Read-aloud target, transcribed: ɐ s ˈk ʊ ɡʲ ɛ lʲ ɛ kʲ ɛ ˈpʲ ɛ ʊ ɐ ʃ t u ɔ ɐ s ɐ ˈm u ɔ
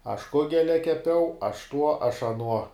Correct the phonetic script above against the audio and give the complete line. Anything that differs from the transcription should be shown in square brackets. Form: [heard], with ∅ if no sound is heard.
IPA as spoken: ɐ [ʃ] ˈk ʊ ɡʲ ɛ lʲ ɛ kʲ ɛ ˈpʲ ɛ ʊ ɐ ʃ t u ɔ ɐ [ʃ] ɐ [ˈn] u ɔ